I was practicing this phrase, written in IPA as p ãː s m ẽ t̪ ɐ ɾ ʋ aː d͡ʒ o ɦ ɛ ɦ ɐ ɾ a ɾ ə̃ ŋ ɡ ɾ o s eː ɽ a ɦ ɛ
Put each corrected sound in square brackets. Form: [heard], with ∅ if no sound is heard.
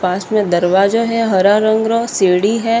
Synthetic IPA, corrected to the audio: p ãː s m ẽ [d̪] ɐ ɾ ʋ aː d͡ʒ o ɦ ɛ ɦ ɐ ɾ a ɾ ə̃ ŋ ɡ ɾ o s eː ɽ [i] ɦ ɛ